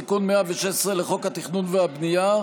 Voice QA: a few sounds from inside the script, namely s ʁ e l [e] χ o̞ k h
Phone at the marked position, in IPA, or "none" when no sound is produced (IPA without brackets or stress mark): e